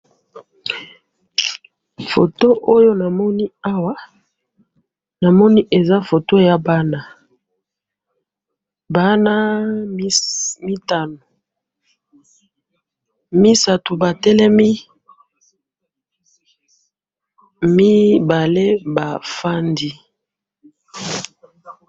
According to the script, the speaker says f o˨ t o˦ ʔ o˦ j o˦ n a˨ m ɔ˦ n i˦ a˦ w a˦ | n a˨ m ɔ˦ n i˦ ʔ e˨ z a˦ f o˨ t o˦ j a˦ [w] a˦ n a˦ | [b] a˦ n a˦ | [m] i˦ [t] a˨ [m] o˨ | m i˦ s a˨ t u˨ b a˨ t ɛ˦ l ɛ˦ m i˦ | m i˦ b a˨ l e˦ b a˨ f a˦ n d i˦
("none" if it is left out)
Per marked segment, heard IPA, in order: b, b, m, t, n

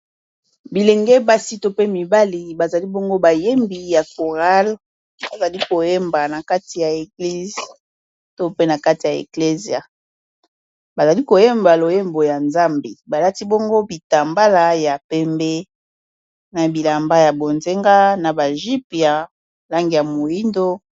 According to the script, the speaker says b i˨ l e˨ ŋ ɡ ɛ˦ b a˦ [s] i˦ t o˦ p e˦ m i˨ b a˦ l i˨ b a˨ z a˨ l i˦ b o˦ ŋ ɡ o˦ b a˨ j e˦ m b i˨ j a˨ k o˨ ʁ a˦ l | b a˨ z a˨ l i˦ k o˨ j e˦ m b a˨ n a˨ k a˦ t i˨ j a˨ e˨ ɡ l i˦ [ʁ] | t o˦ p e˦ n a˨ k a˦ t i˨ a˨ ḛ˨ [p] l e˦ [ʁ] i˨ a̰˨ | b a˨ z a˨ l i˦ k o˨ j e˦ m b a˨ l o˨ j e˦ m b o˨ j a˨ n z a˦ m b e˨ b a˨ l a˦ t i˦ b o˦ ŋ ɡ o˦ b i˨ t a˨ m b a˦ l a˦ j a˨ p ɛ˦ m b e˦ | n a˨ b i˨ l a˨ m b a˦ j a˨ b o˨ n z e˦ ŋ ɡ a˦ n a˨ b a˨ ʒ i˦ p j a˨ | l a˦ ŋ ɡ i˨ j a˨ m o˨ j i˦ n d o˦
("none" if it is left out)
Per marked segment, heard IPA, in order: s, z, k, z

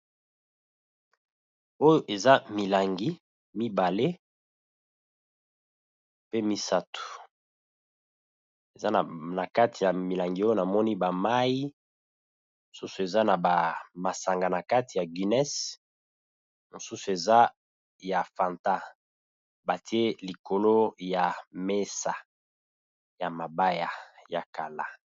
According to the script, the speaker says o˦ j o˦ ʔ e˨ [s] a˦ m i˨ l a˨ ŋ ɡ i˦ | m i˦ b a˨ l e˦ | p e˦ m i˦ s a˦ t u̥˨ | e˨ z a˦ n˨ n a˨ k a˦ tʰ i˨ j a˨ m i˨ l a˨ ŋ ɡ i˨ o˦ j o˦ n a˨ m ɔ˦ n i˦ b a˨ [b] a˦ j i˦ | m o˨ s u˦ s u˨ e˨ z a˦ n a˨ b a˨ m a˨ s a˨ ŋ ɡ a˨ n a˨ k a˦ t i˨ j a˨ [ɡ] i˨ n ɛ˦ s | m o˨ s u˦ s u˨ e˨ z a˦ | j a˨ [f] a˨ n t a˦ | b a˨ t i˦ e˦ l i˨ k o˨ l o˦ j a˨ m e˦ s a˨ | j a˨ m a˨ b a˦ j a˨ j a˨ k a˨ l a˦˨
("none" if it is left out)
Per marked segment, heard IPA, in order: z, m, ɡ, f

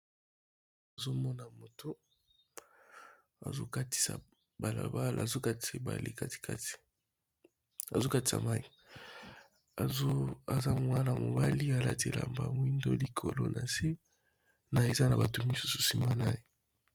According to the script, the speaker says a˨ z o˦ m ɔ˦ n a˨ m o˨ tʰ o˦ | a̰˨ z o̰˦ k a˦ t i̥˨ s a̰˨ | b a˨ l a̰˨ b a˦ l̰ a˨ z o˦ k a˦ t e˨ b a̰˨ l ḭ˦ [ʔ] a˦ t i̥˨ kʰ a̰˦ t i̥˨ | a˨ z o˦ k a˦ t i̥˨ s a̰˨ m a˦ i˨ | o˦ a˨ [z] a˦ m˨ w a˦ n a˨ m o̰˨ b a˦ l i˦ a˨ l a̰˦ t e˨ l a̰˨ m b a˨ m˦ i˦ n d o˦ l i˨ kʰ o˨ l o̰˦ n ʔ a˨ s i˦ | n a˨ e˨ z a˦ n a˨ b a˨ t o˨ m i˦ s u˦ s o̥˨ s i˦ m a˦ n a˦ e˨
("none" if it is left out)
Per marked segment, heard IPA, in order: k, z

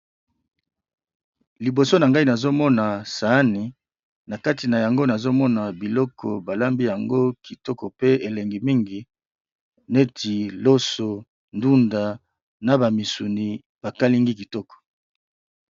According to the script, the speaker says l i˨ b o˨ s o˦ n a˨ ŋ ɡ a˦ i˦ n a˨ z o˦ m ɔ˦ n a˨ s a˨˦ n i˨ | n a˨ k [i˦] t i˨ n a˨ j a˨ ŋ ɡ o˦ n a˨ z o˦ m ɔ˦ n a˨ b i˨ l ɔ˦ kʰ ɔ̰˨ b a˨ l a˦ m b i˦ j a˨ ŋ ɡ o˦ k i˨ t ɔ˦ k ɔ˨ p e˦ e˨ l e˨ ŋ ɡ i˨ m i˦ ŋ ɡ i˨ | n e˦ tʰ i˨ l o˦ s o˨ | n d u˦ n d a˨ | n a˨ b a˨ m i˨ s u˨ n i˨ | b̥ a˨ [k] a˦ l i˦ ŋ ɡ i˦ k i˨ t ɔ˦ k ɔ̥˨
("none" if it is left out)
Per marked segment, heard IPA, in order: a˦, k

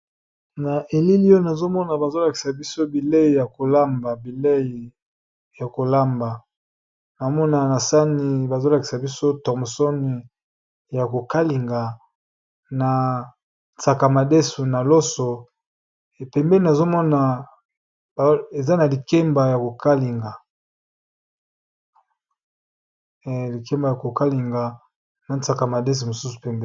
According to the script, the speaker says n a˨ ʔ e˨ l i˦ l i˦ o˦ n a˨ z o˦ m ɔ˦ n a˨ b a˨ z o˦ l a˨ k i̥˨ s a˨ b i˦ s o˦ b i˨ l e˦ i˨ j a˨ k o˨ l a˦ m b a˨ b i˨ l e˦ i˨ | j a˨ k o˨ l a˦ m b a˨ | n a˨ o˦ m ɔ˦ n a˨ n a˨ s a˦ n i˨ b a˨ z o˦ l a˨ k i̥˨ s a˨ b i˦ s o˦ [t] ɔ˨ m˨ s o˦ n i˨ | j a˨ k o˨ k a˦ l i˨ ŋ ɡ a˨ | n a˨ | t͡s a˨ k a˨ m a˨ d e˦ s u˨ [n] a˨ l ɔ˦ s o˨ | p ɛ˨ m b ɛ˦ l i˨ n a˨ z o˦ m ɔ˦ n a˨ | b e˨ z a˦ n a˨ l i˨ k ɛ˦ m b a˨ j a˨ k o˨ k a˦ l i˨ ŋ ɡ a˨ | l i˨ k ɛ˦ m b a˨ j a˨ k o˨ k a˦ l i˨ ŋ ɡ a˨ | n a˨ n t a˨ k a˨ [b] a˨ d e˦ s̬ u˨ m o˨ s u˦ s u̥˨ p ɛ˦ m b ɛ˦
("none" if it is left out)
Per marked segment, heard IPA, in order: t, n, m

